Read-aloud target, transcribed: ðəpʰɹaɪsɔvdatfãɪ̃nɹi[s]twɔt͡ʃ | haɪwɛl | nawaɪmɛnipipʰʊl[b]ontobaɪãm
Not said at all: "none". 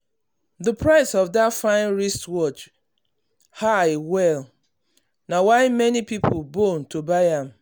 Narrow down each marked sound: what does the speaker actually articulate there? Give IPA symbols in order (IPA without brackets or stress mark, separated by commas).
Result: s, b